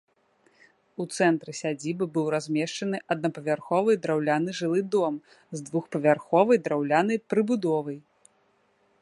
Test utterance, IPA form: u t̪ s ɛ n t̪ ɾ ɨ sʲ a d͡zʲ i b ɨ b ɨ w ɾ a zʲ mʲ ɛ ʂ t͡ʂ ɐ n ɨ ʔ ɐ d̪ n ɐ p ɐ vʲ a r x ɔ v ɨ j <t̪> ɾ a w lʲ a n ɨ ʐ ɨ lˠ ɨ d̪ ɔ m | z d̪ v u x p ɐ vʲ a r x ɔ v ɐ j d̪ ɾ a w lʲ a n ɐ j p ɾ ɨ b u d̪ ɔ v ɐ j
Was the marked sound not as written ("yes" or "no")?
yes